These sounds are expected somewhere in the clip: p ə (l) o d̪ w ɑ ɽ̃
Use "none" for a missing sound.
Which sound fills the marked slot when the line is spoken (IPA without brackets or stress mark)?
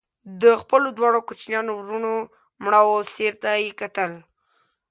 l